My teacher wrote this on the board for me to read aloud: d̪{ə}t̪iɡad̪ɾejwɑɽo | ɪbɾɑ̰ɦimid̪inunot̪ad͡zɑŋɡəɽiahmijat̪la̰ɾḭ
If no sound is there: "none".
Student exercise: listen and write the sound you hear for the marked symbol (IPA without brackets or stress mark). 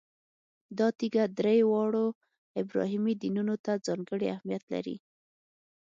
ɑ